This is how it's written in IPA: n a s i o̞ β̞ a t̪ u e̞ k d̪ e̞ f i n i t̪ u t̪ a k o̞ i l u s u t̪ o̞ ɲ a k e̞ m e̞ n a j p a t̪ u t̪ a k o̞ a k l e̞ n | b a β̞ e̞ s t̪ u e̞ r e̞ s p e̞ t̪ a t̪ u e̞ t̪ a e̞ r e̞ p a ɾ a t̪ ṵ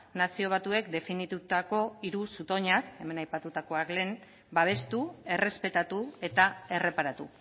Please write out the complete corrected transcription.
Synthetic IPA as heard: n a s i o̞ β̞ a t̪ u e̞ k d̪ e̞ f i n i t̪ u t̪ a k o̞ i ɾ u s u t̪ o̞ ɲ a k e̞ m e̞ n a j p a t̪ u t̪ a k o̞ a k l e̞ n | b a β̞ e̞ s t̪ u e̞ r e̞ s p e̞ t̪ a t̪ u e̞ t̪ a e̞ r e̞ p a ɾ a t̪ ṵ